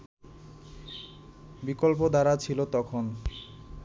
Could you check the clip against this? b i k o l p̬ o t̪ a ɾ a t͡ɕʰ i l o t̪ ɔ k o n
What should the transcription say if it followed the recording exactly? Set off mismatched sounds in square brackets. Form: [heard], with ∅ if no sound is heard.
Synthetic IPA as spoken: b i k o l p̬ o [d̪] a ɾ a t͡ɕʰ i l o t̪ ɔ [kʰ] o n